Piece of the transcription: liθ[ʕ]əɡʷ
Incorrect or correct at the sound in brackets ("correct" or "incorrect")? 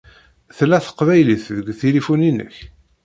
incorrect